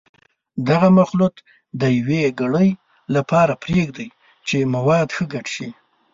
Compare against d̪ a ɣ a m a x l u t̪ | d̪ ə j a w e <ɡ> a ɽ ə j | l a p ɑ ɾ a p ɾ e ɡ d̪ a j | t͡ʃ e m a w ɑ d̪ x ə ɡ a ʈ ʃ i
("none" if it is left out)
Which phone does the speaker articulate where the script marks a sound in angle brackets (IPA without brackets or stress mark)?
ɡ